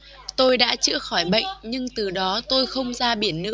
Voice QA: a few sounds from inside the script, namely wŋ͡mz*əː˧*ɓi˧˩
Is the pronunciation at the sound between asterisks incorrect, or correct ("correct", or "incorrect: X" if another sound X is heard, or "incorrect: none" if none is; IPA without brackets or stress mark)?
incorrect: aː˧